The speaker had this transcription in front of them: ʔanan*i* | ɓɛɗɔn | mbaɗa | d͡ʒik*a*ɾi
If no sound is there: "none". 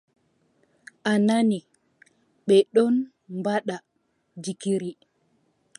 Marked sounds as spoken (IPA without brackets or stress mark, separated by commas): i, i